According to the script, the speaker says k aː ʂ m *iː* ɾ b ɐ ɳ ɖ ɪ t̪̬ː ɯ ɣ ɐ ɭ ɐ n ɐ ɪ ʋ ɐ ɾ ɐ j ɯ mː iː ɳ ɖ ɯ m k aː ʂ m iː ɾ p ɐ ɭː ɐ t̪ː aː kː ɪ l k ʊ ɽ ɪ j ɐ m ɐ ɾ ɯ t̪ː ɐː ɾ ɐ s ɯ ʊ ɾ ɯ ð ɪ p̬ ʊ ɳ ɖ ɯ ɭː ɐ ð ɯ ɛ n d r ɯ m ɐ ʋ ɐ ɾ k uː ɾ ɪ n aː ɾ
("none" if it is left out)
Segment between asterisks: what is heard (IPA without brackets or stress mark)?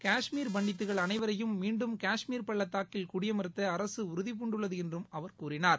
iː